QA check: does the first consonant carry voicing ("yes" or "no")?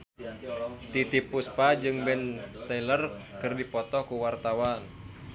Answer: no